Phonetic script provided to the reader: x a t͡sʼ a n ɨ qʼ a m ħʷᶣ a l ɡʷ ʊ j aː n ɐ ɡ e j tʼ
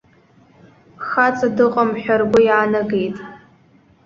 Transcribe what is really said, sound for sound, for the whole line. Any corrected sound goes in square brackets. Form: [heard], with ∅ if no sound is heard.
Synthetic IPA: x a t͡sʼ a [d] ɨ qʼ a m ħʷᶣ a [r] ɡʷ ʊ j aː n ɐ ɡ e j tʼ